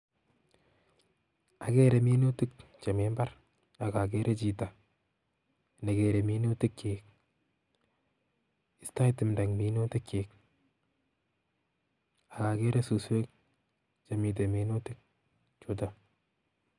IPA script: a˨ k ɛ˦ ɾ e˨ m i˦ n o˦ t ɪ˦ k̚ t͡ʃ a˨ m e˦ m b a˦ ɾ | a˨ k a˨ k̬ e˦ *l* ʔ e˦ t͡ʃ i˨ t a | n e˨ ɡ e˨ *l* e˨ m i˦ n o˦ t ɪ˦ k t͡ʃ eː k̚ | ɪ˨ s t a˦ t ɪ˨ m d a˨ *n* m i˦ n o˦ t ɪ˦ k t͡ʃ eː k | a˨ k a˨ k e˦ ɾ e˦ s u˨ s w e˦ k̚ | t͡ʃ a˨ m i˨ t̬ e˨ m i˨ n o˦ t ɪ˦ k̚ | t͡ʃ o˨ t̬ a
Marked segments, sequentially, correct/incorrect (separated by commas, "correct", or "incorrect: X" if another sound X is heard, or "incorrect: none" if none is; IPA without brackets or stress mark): incorrect: ɾ, incorrect: ɾ, incorrect: ŋ